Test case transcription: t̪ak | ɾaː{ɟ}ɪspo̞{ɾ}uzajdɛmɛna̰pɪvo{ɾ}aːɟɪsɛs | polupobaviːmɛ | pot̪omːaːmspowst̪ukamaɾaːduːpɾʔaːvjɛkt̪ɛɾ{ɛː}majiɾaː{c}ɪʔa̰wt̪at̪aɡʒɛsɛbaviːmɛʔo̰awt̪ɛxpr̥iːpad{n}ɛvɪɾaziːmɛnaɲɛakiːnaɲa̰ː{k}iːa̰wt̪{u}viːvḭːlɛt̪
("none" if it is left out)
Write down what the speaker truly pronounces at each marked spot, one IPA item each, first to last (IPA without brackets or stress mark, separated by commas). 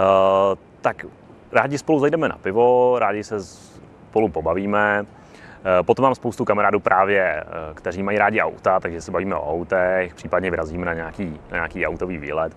ɟ, l, ɾ, iː, ɟ, ɲ, k, o